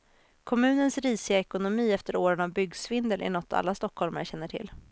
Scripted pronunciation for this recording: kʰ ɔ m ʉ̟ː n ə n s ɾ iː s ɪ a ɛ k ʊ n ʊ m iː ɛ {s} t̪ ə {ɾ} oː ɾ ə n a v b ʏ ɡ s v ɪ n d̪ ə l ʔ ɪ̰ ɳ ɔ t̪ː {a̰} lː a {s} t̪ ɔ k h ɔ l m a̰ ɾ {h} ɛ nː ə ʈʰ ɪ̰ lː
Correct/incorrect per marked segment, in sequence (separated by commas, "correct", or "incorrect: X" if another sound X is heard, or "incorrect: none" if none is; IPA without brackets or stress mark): incorrect: f, correct, correct, correct, incorrect: ɕ